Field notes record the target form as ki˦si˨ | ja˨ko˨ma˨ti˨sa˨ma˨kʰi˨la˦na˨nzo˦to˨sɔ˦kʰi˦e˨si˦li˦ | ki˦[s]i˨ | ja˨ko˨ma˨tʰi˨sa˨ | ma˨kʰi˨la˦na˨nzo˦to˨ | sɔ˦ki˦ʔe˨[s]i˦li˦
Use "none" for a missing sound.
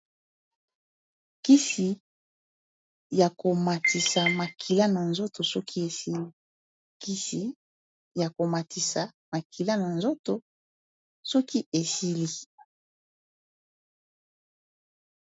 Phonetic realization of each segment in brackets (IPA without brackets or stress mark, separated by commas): s, s